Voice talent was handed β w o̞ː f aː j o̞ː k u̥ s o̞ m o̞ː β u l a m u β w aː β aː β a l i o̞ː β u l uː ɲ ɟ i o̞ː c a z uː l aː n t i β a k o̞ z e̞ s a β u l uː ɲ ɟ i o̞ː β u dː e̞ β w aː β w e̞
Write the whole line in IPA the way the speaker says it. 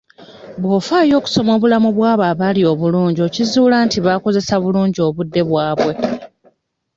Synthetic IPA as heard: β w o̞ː f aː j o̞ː k u̥ s o̞ m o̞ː β u l a m u β w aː β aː β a l i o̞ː β u l uː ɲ ɟ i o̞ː c i z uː l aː n t i β a k o̞ z e̞ s a β u l uː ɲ ɟ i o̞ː β u dː e̞ β w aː β w e̞